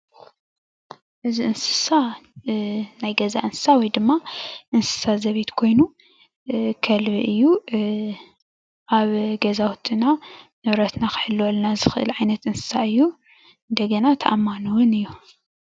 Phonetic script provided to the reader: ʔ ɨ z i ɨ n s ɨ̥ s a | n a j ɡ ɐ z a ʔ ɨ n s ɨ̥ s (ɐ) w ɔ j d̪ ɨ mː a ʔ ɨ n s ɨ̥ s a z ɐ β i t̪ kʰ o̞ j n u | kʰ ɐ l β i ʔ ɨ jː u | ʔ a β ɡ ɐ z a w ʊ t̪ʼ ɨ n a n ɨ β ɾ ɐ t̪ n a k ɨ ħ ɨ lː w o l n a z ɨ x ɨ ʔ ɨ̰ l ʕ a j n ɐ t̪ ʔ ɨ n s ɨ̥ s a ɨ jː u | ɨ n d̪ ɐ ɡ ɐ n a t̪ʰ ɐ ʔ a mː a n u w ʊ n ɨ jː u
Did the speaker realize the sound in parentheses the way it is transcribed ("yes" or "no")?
no